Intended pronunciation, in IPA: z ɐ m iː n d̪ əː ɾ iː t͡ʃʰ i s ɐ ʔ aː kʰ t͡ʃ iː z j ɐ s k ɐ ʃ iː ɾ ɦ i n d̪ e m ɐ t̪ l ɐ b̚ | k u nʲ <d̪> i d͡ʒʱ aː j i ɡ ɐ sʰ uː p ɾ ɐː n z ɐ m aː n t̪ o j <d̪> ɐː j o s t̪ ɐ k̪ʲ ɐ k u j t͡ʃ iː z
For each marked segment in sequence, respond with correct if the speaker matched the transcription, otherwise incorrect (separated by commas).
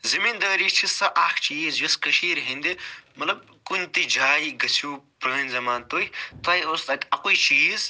incorrect, incorrect